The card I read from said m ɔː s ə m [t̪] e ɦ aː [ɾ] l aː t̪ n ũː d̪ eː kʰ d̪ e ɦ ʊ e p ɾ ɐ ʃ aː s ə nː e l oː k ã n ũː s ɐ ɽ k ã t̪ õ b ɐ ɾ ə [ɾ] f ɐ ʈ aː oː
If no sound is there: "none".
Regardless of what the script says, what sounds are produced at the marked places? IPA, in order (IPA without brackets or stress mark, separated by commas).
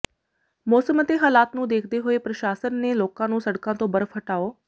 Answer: t̪, none, none